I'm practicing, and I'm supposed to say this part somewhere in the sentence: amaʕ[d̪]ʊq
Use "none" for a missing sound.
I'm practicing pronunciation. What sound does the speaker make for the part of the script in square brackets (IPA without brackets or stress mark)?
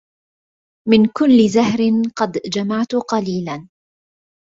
t̪